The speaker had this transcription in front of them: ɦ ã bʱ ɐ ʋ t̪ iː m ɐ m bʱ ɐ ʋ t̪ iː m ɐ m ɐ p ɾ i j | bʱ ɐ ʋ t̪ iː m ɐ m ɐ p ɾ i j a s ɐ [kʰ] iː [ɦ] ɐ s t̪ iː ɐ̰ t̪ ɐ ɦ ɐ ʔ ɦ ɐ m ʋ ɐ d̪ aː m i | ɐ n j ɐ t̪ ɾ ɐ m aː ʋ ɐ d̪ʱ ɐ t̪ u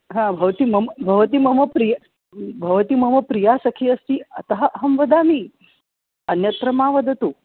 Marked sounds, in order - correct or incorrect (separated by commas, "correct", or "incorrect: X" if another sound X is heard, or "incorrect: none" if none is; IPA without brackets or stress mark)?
correct, incorrect: none